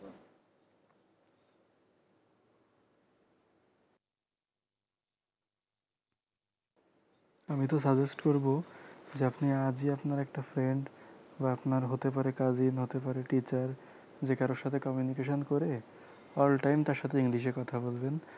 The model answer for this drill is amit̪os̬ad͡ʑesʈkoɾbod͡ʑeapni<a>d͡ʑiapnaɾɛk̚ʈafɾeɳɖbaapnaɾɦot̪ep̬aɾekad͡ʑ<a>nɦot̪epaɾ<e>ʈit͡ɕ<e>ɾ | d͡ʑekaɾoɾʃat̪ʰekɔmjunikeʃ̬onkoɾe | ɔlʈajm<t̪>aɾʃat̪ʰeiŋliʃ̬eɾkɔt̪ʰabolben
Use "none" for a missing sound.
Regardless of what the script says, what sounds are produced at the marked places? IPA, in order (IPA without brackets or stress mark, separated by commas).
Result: a, i, e, a, t̪